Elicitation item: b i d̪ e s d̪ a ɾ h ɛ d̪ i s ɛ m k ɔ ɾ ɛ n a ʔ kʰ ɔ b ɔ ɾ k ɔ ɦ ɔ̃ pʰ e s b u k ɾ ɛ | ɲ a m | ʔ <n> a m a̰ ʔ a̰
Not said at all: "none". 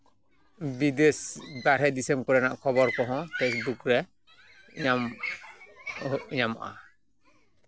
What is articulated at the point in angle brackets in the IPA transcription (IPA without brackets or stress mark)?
ɲ